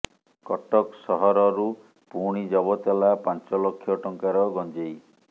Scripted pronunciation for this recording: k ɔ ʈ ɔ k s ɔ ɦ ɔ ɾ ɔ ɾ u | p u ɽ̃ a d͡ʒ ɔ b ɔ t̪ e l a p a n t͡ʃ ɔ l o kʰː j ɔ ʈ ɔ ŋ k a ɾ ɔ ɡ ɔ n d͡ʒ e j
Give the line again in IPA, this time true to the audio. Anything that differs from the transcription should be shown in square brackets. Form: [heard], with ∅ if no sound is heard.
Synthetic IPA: k ɔ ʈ ɔ k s ɔ ɦ ɔ ɾ ɔ ɾ u | p u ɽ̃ [i] d͡ʒ ɔ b ɔ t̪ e l a p a n t͡ʃ ɔ l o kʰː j ɔ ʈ ɔ ŋ k a ɾ ɔ ɡ ɔ n d͡ʒ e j